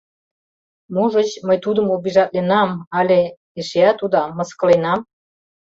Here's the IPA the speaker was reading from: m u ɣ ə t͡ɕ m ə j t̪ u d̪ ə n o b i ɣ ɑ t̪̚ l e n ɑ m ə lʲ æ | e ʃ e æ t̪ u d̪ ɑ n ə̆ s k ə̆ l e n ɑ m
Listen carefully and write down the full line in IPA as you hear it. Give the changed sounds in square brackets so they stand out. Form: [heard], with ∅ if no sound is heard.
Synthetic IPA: m u [ʒ] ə t͡ɕ m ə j t̪ u d̪ ə [m] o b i [ʒ] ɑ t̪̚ l e n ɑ m [ɑ] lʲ [e] | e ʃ e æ t̪ u d̪ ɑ [m] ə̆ s k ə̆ l e n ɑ m